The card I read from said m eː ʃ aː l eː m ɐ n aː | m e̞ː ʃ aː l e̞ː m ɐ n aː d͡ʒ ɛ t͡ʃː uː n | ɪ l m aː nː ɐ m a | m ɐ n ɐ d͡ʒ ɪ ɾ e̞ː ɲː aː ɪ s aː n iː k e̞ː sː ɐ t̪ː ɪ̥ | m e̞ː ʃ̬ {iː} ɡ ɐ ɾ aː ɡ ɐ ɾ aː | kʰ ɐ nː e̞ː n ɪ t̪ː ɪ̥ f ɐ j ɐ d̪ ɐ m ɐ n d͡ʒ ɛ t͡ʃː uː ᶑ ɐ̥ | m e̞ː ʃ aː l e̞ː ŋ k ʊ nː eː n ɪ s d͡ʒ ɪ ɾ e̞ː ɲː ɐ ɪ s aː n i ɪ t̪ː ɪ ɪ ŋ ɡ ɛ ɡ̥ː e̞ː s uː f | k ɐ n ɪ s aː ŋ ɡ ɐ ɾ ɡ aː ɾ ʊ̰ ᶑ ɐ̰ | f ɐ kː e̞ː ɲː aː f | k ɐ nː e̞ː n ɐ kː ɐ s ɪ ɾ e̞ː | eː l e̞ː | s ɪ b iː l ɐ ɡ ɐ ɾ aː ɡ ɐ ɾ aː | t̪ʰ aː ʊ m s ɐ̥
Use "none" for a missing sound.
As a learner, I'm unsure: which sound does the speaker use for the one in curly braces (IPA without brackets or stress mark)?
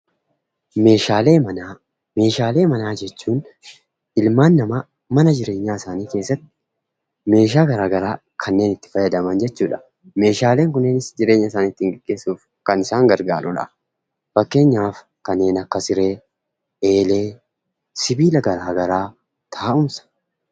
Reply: aː